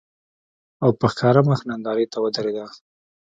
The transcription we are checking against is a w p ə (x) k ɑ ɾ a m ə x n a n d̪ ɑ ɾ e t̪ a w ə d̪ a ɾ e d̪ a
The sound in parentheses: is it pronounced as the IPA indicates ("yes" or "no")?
yes